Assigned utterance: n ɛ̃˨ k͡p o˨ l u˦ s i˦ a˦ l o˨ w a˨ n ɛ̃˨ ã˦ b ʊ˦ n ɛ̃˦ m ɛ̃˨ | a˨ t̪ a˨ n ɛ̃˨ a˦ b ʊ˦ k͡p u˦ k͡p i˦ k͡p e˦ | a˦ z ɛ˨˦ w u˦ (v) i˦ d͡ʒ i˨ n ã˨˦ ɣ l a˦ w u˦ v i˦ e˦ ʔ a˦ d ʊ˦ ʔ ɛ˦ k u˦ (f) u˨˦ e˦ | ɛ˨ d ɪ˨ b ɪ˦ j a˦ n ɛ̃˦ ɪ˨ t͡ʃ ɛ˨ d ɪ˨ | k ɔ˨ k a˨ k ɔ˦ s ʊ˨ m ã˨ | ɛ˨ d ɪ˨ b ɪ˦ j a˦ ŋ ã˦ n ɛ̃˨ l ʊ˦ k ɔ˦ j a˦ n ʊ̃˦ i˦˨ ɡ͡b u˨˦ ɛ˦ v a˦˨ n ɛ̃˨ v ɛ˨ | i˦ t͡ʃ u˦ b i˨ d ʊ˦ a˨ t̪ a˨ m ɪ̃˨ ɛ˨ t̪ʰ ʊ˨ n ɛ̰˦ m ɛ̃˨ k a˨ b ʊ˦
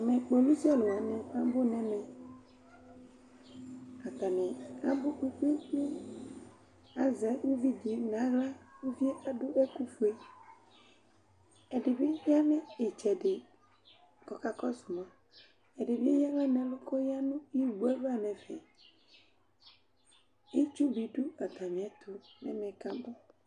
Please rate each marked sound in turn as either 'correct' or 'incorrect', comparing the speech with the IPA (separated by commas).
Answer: correct, correct